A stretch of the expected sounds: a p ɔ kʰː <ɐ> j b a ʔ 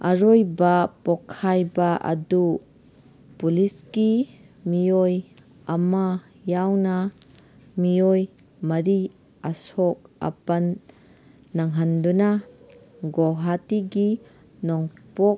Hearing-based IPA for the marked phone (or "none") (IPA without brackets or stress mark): a